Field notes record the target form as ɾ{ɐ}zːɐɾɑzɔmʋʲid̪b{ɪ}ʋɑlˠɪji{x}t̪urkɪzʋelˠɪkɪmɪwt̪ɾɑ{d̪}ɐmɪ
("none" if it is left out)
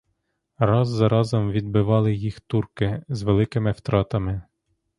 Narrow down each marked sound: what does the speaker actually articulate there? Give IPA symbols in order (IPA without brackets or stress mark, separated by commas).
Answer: ɑ, ɪ, x, t̪